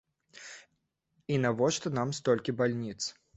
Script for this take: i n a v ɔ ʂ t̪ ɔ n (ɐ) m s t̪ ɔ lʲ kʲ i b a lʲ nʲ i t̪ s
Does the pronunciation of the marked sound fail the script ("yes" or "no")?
yes